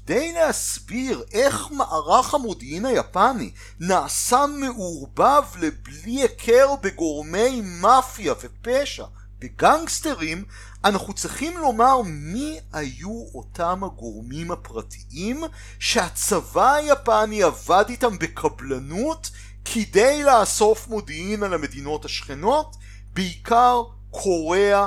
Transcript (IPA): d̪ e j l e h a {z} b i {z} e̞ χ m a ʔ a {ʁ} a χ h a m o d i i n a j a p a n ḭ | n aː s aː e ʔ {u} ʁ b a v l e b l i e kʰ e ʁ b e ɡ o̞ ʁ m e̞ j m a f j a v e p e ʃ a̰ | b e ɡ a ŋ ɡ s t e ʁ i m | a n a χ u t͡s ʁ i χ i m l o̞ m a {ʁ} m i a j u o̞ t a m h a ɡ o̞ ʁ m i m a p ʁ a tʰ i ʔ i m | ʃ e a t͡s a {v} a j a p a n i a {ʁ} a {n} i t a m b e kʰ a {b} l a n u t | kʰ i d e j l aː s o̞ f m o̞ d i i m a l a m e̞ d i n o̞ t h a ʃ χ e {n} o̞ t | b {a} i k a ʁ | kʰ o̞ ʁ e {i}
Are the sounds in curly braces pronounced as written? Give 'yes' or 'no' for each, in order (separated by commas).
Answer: no, no, yes, yes, yes, yes, no, no, yes, yes, no, no